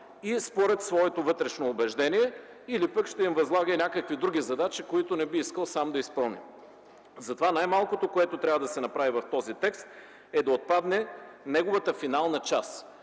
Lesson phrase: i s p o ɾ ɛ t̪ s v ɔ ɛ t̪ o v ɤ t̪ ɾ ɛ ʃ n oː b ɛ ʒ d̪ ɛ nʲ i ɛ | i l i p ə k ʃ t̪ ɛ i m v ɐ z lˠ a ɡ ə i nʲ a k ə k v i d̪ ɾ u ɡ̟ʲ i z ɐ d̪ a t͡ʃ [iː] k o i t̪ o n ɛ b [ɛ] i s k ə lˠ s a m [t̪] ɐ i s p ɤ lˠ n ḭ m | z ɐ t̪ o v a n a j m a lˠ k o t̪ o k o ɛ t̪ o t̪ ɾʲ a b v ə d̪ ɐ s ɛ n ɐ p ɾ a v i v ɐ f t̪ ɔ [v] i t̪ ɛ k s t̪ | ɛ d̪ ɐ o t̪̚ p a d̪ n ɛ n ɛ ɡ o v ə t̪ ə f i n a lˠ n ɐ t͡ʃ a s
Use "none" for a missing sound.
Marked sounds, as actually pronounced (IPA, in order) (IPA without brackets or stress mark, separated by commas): i, i, d̪, z